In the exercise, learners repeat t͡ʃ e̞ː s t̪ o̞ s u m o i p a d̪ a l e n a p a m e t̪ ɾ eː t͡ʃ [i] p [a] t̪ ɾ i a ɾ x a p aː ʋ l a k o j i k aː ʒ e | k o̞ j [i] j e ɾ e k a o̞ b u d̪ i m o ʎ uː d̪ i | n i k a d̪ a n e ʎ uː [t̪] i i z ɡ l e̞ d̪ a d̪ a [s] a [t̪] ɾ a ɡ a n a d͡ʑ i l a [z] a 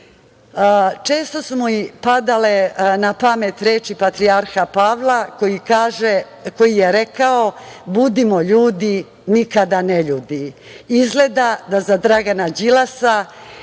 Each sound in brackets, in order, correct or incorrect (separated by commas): correct, correct, correct, incorrect, incorrect, incorrect, incorrect